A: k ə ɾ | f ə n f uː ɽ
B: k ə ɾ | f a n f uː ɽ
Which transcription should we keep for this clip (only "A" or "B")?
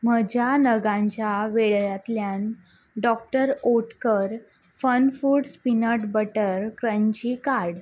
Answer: A